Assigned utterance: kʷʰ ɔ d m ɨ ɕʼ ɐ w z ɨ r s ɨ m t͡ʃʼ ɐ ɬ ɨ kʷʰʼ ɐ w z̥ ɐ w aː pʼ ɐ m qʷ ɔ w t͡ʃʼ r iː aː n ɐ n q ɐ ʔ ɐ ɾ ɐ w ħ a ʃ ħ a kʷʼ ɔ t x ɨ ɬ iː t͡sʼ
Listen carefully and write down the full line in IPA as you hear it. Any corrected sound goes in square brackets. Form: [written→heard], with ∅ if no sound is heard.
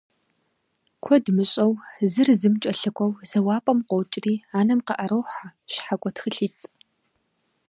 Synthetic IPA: kʷʰ ɔ d m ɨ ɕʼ ɐ w z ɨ r [s→z] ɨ m t͡ʃʼ ɐ ɬ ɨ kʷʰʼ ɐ w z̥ ɐ w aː pʼ ɐ m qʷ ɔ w t͡ʃʼ r iː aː n ɐ [n→m] q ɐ ʔ ɐ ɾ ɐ w ħ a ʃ ħ a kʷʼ ɔ t x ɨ ɬ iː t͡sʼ

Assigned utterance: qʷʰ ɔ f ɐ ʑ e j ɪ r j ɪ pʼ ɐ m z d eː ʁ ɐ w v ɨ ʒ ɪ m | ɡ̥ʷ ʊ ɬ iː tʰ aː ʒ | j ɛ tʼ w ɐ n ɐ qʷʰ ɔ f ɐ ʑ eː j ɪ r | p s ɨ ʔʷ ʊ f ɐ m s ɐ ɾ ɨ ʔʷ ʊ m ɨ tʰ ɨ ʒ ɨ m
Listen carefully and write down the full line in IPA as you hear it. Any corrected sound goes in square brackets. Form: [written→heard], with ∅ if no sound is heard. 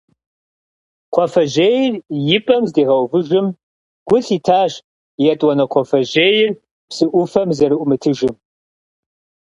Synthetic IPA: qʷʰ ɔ f ɐ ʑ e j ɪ r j ɪ pʼ ɐ m z d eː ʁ ɐ w v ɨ ʒ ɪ m | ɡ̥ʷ ʊ ɬ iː tʰ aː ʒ | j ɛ tʼ w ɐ n ɐ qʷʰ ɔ f ɐ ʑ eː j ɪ r | p s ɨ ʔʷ ʊ f ɐ m [s→z] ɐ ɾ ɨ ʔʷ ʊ m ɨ tʰ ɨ ʒ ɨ m

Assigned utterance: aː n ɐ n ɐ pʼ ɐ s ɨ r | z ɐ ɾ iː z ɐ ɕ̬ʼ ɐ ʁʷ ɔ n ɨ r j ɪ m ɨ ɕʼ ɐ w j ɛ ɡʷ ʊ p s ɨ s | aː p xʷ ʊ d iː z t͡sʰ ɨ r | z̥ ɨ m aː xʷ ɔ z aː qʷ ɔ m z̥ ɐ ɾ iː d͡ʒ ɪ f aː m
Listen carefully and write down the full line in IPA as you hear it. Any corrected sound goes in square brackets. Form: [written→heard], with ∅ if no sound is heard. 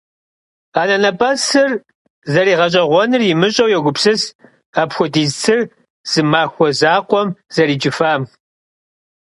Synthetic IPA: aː n ɐ n ɐ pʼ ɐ s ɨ r | z ɐ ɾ iː [z→ʁ] ɐ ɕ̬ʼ ɐ ʁʷ ɔ n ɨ r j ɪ m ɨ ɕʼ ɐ w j ɛ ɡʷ ʊ p s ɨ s | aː p xʷ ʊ d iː z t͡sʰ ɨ r | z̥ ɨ m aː xʷ ɔ z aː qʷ ɔ m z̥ ɐ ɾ iː d͡ʒ ɪ f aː m

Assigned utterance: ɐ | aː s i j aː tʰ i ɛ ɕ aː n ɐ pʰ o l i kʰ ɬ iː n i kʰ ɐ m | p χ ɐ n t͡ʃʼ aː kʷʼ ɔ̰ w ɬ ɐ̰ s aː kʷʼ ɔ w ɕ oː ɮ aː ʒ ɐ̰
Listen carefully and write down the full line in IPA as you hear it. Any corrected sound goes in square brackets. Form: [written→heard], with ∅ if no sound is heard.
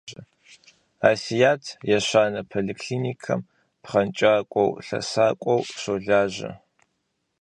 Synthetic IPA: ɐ | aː s i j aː tʰ [i→j] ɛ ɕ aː n ɐ pʰ o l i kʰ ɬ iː n i kʰ ɐ m | p χ ɐ n t͡ʃʼ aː kʷʼ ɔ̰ w ɬ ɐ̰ s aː kʷʼ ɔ w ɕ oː ɮ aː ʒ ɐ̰

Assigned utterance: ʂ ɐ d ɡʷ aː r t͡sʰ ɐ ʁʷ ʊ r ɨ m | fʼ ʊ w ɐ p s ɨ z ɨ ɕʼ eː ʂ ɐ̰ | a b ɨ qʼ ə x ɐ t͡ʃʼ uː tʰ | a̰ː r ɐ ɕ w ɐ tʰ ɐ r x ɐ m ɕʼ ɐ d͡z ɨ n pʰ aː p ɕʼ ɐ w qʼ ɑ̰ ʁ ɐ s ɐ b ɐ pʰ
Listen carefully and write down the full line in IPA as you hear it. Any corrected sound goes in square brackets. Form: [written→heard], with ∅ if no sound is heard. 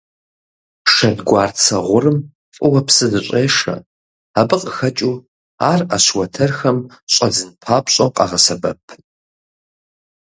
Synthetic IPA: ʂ ɐ d ɡʷ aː r t͡sʰ ɐ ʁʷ ʊ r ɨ m | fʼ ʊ w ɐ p s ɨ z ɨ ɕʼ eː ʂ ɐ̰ | a b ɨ qʼ ə x ɐ t͡ʃʼ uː [tʰ→∅] | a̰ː r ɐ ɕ w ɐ tʰ ɐ r x ɐ m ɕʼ ɐ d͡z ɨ n pʰ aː p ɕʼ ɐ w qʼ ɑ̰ ʁ ɐ s ɐ b ɐ pʰ

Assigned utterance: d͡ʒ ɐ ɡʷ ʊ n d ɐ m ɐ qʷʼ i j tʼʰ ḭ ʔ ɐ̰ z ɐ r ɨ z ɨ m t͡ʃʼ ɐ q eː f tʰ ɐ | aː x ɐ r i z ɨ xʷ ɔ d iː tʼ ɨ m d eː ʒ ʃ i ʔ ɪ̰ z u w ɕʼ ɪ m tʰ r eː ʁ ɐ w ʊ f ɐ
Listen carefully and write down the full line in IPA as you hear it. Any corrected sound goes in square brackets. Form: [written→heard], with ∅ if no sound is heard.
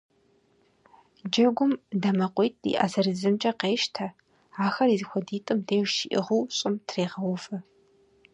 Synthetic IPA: d͡ʒ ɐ ɡʷ ʊ [n→m] d ɐ m ɐ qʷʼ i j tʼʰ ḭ ʔ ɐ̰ z ɐ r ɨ z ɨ m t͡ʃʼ ɐ q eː [f→ʃ] tʰ ɐ | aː x ɐ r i z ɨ xʷ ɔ d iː tʼ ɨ m d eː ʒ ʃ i ʔ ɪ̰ [z→ʁ] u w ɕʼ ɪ m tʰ r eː ʁ ɐ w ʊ f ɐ

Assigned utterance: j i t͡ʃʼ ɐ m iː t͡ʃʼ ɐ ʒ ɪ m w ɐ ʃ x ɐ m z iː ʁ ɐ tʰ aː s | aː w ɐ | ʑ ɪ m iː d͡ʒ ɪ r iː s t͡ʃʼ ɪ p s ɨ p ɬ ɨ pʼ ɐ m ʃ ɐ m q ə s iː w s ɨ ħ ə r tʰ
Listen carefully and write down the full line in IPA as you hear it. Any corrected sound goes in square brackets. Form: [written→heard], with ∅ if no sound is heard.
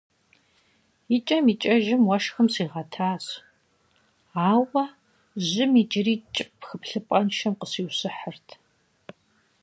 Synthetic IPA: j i t͡ʃʼ ɐ m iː t͡ʃʼ ɐ ʒ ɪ m w ɐ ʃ x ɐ m [z→s] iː ʁ ɐ tʰ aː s | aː w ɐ | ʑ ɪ m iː d͡ʒ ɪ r iː [s→∅] t͡ʃʼ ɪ p [s→x] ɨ p ɬ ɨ pʼ ɐ [m→n] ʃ ɐ m q ə s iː w s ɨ ħ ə r tʰ

